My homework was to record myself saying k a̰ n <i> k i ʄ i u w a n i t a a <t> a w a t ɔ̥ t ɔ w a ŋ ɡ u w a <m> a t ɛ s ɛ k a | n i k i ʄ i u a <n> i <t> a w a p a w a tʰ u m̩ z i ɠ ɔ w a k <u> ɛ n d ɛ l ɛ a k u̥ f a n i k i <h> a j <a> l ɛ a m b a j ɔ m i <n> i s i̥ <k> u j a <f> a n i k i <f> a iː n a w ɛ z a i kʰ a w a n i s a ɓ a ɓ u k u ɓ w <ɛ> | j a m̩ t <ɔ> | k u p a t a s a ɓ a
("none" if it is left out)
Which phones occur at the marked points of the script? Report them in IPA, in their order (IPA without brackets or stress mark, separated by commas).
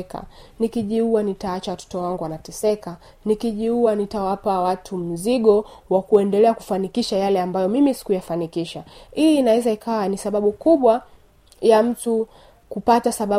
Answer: i, t͡ʃ, n, n, t, u, ʃ, a, m, k, f, ʃ, a, u